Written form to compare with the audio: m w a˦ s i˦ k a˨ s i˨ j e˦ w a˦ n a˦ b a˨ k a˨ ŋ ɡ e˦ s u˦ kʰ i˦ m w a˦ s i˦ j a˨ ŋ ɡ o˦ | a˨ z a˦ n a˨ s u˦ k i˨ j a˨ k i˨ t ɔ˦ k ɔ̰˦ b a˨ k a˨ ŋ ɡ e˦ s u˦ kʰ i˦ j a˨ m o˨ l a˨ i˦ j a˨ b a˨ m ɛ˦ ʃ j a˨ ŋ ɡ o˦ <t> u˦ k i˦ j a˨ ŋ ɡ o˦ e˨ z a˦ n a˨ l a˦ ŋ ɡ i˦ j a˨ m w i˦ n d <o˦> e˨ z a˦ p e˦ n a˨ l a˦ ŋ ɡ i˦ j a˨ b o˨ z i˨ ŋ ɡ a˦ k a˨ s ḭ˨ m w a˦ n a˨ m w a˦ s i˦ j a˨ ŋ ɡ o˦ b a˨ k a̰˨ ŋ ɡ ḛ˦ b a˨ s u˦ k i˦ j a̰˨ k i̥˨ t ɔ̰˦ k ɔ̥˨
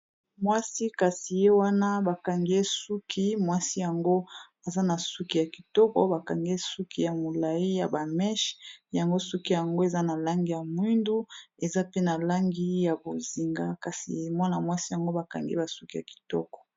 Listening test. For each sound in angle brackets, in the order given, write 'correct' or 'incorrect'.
incorrect: s, incorrect: u˦

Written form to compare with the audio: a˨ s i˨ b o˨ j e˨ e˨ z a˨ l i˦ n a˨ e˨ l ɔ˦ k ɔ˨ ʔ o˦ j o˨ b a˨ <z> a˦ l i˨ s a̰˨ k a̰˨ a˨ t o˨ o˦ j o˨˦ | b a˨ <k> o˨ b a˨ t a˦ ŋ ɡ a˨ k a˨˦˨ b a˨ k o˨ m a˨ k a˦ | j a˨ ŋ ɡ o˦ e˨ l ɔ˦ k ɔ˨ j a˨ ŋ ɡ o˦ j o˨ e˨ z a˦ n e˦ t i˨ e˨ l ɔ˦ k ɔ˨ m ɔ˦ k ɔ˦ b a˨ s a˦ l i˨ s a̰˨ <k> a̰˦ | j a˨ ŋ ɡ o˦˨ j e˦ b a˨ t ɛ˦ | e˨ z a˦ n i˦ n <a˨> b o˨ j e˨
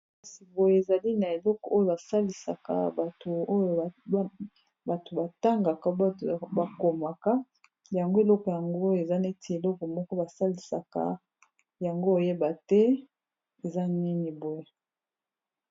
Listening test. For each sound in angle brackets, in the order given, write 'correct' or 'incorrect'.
incorrect: s, incorrect: t, correct, incorrect: i˨

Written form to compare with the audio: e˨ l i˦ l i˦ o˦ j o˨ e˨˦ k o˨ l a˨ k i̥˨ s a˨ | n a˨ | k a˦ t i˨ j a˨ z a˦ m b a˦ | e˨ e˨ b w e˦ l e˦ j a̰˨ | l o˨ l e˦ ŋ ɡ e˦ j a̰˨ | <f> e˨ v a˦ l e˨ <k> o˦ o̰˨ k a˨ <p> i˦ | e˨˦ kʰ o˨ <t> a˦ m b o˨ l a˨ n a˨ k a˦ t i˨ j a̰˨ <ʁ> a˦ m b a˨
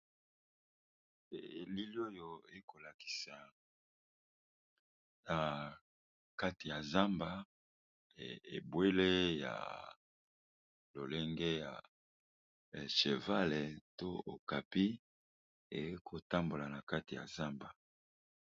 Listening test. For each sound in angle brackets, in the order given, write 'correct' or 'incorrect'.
incorrect: ʃ, incorrect: t, correct, correct, incorrect: z

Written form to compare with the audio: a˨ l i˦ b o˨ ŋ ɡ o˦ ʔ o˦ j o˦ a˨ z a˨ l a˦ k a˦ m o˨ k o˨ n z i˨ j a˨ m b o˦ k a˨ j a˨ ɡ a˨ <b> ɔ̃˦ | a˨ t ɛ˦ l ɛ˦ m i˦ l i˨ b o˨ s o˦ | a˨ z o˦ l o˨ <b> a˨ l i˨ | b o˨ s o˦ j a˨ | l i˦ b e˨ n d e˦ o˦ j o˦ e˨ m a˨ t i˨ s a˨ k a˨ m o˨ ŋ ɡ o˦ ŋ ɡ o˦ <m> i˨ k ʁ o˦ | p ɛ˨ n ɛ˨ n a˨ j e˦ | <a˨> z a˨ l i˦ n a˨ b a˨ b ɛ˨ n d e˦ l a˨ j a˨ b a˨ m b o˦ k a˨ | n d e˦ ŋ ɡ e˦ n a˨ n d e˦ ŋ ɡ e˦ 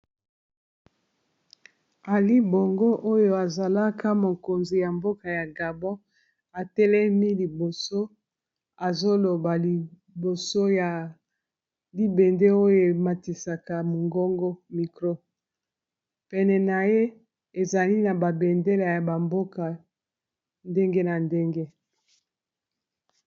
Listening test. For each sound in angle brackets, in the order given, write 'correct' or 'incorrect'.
correct, correct, correct, incorrect: e˨

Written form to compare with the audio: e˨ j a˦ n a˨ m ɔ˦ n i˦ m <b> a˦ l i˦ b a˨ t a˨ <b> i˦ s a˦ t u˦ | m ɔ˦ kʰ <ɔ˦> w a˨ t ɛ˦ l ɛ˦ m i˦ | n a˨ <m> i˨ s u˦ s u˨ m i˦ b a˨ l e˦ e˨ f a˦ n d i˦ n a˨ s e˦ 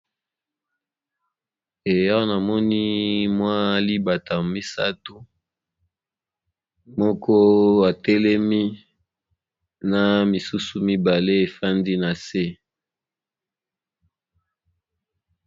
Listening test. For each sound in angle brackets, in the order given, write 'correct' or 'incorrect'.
incorrect: w, incorrect: m, correct, correct

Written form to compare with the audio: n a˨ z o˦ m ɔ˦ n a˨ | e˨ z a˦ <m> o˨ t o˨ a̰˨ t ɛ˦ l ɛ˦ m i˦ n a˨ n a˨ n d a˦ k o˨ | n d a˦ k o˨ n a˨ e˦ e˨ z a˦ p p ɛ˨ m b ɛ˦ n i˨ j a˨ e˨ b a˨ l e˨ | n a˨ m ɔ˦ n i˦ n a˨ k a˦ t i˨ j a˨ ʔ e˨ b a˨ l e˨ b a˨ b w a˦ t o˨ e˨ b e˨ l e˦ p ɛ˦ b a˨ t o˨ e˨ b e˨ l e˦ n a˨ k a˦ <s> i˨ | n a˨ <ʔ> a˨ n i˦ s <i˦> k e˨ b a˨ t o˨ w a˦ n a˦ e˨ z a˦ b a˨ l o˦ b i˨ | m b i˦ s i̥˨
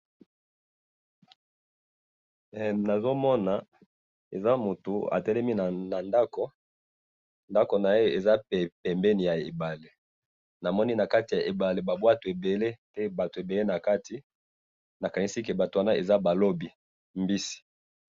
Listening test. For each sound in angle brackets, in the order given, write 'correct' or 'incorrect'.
correct, incorrect: t, incorrect: k, correct

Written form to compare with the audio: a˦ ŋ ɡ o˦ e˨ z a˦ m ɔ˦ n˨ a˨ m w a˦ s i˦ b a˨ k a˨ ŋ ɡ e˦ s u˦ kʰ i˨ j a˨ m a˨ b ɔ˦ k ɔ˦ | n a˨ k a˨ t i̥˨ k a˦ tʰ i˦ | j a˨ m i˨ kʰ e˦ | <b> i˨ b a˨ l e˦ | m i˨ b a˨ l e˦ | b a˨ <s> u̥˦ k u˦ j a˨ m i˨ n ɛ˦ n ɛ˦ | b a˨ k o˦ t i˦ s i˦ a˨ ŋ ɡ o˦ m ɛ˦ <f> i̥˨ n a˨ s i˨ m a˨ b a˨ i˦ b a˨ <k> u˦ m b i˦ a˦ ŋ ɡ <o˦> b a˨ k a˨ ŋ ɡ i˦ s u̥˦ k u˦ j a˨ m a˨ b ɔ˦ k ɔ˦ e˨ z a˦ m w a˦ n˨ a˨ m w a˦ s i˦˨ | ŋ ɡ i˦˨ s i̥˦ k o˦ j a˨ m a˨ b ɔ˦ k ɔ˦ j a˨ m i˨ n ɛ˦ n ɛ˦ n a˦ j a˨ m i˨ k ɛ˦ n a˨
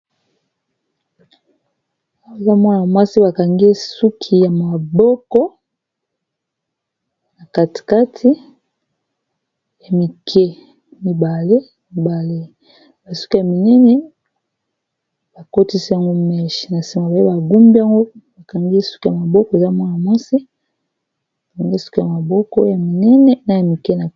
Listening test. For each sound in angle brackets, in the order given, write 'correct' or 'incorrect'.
incorrect: m, correct, incorrect: ʃ, incorrect: ɡ, correct

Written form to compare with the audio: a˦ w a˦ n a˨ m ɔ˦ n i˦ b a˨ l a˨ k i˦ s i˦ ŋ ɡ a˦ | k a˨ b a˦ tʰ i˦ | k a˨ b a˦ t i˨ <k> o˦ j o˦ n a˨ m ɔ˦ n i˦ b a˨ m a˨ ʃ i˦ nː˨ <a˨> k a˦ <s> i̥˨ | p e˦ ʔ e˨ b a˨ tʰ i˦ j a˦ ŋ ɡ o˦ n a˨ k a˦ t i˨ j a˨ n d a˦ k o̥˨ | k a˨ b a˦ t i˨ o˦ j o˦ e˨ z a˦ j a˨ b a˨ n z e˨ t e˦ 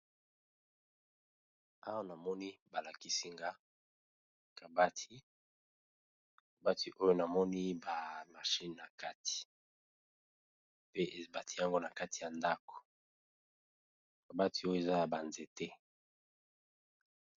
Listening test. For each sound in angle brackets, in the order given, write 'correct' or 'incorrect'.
incorrect: ʔ, correct, incorrect: t

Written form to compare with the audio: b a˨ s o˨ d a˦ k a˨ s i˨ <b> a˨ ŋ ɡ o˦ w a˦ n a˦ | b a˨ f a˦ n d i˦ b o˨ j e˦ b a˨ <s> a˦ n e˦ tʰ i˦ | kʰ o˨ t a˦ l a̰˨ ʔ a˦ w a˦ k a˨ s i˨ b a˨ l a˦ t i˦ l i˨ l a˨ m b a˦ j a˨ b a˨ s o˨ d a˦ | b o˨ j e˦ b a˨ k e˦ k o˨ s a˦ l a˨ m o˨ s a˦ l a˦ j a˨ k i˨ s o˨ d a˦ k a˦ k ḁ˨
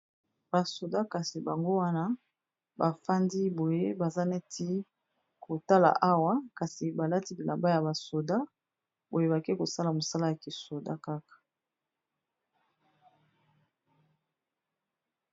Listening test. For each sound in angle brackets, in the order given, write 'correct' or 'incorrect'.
correct, incorrect: z

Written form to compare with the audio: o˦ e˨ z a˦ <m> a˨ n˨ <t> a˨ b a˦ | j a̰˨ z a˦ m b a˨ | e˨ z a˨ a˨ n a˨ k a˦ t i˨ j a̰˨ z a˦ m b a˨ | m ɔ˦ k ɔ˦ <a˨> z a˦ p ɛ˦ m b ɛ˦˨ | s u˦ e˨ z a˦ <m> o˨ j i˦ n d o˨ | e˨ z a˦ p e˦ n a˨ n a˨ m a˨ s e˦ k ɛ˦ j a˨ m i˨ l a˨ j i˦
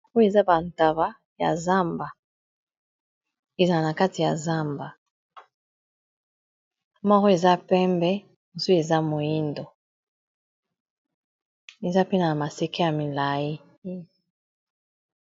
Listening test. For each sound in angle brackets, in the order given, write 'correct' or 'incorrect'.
incorrect: b, correct, incorrect: e˨, correct

